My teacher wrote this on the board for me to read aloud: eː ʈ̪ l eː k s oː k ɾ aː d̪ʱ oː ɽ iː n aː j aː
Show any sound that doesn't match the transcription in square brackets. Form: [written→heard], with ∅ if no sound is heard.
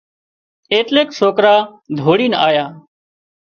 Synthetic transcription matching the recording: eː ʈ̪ l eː k s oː k ɾ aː d̪ʱ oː ɽ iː n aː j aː